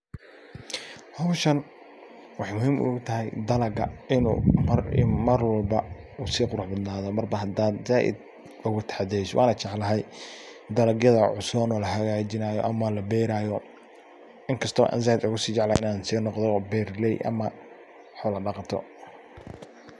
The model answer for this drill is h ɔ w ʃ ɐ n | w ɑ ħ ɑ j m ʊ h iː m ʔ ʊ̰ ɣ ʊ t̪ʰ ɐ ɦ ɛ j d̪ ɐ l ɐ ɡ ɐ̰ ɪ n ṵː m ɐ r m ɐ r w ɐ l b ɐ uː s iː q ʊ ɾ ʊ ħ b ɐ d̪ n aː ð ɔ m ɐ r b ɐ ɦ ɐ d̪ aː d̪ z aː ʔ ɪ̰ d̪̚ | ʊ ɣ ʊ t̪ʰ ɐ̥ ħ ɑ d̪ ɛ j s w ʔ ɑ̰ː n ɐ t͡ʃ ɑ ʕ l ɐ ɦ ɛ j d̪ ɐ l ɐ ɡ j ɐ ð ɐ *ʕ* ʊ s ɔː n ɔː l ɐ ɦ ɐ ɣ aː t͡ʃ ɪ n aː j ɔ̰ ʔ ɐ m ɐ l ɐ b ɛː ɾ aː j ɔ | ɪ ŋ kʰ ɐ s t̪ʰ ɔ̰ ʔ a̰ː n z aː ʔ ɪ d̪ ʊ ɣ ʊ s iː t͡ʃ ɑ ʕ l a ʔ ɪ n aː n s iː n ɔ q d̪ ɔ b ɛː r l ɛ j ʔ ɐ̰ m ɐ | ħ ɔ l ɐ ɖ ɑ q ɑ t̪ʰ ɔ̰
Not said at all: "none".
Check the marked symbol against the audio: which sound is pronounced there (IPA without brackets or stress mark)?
ʕ